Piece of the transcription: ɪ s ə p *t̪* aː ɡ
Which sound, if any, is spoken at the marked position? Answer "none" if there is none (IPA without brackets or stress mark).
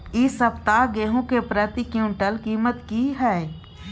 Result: t̪